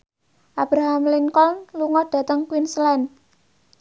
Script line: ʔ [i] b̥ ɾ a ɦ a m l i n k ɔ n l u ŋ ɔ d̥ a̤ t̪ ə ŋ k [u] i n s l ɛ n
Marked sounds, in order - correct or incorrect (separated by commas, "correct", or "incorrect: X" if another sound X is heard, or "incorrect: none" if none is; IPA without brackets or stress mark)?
incorrect: a, incorrect: w